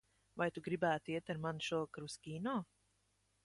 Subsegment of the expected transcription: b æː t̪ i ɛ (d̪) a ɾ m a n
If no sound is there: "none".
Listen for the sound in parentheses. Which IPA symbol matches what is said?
t̪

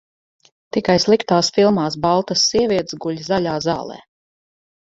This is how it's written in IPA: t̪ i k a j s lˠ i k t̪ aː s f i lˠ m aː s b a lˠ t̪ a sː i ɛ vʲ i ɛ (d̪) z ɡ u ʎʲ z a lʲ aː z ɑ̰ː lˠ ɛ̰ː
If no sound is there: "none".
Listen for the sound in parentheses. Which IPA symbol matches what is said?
t̪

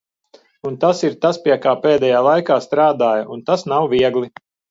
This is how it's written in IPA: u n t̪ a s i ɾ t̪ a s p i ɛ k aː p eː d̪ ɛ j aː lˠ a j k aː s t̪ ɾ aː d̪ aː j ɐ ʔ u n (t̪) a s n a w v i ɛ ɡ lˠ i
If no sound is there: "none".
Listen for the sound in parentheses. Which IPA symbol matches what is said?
t̪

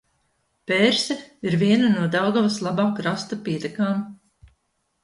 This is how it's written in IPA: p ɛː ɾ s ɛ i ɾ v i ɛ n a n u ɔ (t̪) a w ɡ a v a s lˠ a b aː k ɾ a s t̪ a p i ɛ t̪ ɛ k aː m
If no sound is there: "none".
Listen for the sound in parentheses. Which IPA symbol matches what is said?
d̪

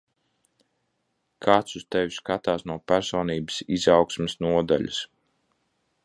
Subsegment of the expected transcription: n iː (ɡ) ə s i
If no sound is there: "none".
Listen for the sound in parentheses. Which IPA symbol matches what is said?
b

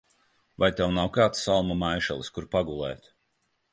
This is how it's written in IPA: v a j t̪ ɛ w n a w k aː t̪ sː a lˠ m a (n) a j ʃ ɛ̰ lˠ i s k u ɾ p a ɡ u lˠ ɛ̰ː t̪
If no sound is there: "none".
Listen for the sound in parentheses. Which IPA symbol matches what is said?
m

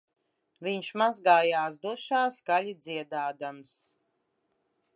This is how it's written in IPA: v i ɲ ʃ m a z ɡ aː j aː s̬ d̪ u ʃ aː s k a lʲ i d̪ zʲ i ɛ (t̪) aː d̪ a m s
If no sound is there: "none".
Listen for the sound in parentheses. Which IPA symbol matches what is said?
d̪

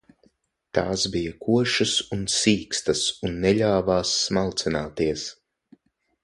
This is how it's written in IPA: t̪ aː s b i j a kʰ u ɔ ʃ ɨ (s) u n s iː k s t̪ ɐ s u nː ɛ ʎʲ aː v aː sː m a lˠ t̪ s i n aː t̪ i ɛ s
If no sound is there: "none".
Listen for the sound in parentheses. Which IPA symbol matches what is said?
s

